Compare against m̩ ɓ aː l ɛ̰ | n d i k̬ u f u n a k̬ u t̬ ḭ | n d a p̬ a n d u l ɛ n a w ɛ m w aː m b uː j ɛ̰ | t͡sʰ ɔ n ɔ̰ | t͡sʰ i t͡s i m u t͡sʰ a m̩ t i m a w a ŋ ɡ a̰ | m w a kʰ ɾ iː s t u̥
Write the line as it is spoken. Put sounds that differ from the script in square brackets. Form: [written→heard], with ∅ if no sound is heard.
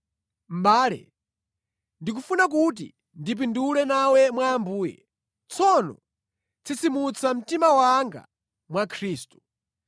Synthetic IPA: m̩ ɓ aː l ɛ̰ | n d i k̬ u f u n a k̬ u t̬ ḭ | n d [a→i] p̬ [a→i] n d u l ɛ n a w ɛ m w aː m b uː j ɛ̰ | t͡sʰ ɔ n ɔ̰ | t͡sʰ i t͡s i m u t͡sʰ a m̩ t i m a w a ŋ ɡ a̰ | m w a kʰ ɾ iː s t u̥